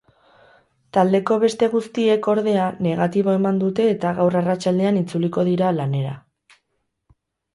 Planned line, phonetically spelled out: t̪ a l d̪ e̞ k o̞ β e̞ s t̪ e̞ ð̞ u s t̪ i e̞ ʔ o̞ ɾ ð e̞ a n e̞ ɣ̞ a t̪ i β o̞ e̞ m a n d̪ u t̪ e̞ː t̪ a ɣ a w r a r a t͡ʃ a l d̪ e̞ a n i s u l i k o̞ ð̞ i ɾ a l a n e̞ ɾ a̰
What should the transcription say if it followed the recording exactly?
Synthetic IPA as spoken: t̪ a l d̪ e̞ k o̞ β e̞ s t̪ e̞ ɣ̞ u s t̪ i e̞ k o̞ ɾ ð e̞ a n e̞ ɣ̞ a t̪ i β o̞ e̞ m a n d̪ u t̪ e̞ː t̪ a ɣ a w r a r a t͡ʃ a l d̪ e̞ a n i t͡s u l i k o̞ ð̞ i ɾ a l a n e̞ ɾ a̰